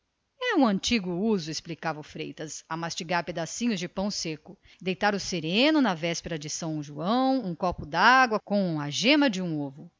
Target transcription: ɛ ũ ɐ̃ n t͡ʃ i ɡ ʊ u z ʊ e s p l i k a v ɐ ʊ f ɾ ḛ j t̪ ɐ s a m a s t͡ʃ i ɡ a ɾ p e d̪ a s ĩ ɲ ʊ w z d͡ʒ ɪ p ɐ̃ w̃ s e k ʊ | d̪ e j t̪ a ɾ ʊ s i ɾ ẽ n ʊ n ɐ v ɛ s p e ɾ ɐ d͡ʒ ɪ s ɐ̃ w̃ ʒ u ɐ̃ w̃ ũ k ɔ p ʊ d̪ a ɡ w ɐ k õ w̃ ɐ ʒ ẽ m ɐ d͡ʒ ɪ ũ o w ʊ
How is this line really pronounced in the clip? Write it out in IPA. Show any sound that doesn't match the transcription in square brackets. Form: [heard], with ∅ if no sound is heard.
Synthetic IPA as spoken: ɛ ũ ɐ̃ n t͡ʃ i ɡ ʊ u z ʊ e s p l i k a v ɐ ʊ f ɾ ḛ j t̪ ɐ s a m a s t͡ʃ i ɡ a ɾ p e d̪ a s ĩ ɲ ʊ [∅] z d͡ʒ ɪ p ɐ̃ w̃ s e k ʊ | d̪ e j t̪ a ɾ ʊ s [e] ɾ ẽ n ʊ n ɐ v ɛ s p e ɾ ɐ d͡ʒ ɪ s ɐ̃ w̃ ʒ u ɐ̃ w̃ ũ k ɔ p ʊ d̪ a ɡ w ɐ k õ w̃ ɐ ʒ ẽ m ɐ d͡ʒ ɪ ũ o [v] ʊ